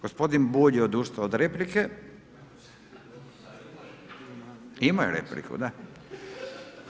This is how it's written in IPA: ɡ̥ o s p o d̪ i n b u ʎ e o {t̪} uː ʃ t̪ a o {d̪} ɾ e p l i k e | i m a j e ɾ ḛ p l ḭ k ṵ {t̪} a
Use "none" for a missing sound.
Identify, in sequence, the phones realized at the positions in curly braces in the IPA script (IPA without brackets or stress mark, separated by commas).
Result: d̪, d̪, d̪